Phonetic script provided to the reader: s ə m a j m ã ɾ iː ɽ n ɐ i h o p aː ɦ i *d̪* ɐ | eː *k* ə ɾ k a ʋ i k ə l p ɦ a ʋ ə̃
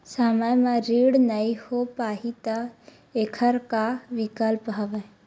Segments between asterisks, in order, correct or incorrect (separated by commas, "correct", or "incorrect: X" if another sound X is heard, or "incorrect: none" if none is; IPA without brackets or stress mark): incorrect: t̪, incorrect: kʰ